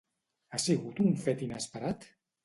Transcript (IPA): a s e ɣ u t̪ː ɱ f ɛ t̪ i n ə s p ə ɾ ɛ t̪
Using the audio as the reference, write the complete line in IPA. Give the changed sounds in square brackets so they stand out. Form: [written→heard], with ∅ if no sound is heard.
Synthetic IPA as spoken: a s [e→i] ɣ u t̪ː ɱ f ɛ t̪ i n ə s p ə ɾ [ɛ→a] t̪